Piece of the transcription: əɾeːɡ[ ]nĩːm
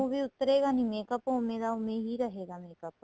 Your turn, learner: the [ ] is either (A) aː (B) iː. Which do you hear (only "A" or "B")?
A